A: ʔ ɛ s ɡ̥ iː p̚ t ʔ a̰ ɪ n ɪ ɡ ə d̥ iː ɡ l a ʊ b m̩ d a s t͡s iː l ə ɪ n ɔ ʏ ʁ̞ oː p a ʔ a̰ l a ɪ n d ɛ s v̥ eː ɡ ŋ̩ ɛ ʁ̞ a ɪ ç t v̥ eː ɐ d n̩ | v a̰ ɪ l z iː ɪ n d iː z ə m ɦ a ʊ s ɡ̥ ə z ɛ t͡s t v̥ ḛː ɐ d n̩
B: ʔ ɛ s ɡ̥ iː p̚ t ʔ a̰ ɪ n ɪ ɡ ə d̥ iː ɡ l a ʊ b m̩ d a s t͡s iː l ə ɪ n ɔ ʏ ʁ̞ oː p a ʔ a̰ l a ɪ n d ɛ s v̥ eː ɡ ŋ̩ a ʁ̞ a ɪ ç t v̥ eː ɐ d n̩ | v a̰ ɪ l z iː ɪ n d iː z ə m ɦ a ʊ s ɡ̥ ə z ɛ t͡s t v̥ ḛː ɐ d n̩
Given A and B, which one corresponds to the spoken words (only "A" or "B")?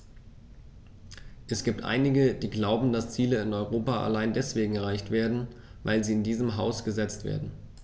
A